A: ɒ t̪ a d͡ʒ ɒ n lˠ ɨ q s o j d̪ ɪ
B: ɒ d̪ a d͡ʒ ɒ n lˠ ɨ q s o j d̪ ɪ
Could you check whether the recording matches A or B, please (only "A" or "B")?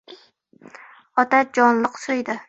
A